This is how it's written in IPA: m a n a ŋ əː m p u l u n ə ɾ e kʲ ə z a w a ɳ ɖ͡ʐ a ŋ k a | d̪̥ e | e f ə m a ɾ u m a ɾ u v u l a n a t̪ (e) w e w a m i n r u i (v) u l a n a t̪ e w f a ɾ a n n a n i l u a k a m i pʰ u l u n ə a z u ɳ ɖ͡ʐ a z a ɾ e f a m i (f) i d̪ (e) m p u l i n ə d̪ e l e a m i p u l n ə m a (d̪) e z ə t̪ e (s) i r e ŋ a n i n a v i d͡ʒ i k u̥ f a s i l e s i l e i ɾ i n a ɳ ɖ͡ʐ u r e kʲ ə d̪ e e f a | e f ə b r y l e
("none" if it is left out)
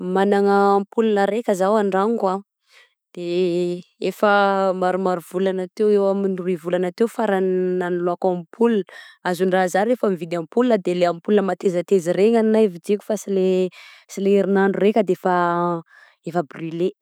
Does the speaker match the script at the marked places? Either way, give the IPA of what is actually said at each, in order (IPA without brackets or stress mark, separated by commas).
e, v, v, a, t̪, z